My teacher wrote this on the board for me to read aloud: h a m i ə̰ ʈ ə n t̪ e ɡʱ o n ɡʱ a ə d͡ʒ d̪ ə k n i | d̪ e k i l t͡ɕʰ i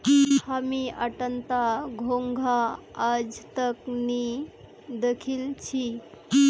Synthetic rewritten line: h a m i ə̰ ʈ ə n t̪ a ɡʱ o ŋ ɡʱ a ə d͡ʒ t̪ ə k n i | d̪ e kʰ i l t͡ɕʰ i

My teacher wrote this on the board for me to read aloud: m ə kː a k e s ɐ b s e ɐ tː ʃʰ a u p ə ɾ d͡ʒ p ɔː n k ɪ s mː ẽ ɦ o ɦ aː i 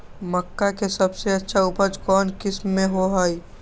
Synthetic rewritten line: m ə kː a k e s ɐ b s e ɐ tː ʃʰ a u p ə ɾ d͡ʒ k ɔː n k ɪ s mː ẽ ɦ o ɦ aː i

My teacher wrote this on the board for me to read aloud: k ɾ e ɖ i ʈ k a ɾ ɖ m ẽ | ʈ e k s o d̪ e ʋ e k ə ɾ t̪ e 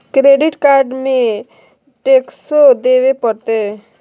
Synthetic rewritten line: k ɾ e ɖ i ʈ k a ɾ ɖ m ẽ | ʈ e k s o d̪ e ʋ e p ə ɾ t̪ e

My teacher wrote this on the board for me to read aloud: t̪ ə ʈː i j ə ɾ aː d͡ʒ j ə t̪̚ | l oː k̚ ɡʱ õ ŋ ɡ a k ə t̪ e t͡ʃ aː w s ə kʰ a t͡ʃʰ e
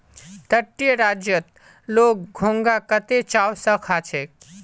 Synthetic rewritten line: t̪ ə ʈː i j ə ɾ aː d͡ʒ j ə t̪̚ | l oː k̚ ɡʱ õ ŋ ɡ a k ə t̪ e t͡ʃ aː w s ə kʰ a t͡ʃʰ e

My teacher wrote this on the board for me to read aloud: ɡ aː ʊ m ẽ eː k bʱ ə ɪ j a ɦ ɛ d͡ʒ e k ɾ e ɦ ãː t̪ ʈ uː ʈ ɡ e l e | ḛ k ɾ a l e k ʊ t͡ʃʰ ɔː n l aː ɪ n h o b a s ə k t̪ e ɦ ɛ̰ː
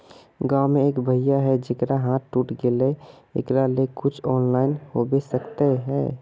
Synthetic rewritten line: ɡ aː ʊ m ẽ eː k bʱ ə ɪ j a ɦ ɛ d͡ʒ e k ɾ a ɦ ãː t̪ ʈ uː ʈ ɡ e l e | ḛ k ɾ a l e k ʊ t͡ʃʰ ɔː n l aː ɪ n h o b e s ə k t̪ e ɦ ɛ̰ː

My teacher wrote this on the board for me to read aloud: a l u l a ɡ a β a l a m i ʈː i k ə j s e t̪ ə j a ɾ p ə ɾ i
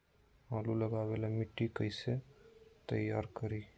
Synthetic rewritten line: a l u l ə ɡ a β e l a m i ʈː i k ə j s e t̪ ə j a ɾ k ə ɾ i

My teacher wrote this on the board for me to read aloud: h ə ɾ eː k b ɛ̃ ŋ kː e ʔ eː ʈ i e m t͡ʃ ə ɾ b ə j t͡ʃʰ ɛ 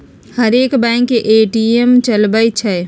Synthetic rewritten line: h ə ɾ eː k b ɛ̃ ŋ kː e ʔ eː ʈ i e m t͡ʃ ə l b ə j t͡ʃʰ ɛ

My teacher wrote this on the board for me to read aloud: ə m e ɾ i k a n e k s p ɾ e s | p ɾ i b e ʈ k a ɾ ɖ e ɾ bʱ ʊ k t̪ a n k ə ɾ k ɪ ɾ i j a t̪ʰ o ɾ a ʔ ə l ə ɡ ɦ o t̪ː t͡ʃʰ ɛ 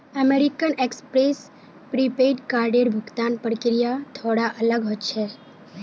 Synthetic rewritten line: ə m e ɾ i k ə n e k s p ɾ e s | p ɾ i p e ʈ k a ɾ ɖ e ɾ bʱ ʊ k t̪ a n p ə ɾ k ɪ ɾ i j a t̪ʰ o ɽ a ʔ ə l ə ɡ ɦ o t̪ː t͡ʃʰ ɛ

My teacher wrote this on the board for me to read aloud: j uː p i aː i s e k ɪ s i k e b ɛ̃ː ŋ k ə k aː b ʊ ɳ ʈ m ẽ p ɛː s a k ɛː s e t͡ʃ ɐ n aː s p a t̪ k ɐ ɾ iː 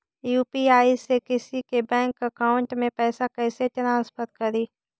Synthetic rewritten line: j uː p i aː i s e k ɪ s i k e b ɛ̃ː ŋ k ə k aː ʊ ɳ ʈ m ẽ p ɛː s a k ɛː s e t͡ʃ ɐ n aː s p ə t̪ k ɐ ɾ iː

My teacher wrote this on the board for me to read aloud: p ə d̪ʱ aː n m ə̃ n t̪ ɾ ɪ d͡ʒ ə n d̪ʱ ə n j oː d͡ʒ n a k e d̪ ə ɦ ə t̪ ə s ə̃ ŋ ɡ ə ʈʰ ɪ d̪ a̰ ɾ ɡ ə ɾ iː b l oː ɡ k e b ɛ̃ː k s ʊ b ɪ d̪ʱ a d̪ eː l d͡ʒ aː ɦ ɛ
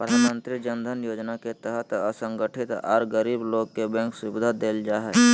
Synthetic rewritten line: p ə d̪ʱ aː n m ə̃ n t̪ ɾ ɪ d͡ʒ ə n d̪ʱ ə n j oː d͡ʒ n a k e t̪ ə ɦ ə t̪ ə s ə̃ ŋ ɡ ə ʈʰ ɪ t̪ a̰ ɾ ɡ ə ɾ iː b l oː ɡ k e b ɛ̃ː k s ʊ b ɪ d̪ʱ a d̪ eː l d͡ʒ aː ɦ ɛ

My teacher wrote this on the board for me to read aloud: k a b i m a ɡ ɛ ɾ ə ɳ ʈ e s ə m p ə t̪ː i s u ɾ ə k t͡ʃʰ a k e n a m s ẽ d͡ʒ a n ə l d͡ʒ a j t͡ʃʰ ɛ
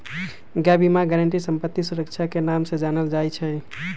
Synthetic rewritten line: ɡ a b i m a ɡ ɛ ɾ ə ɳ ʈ i s ə m p ə t̪ː i s u ɾ ə k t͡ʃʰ a k e n a m s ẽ d͡ʒ a n ə l d͡ʒ a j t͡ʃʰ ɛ

